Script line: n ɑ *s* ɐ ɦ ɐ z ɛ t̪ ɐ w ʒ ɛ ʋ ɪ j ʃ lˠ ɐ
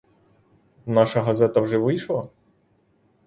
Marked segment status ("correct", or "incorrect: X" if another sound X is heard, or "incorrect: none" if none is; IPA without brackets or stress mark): incorrect: ʃ